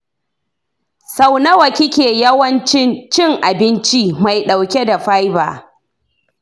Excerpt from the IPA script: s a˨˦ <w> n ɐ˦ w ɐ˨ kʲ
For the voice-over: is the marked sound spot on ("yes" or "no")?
yes